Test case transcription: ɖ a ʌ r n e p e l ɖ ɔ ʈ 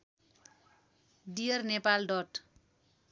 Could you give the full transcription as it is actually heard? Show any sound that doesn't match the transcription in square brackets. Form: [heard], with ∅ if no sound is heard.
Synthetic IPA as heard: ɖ [i] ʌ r n e p [a] l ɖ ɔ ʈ